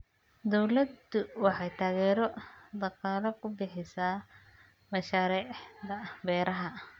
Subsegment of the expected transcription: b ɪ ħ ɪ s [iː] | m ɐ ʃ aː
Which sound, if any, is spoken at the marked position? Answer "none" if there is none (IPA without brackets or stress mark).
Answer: aː